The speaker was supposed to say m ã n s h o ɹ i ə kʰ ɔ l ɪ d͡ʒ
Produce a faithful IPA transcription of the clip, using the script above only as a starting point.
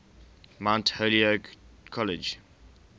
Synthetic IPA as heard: m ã n t h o l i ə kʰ ɔ l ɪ d͡ʒ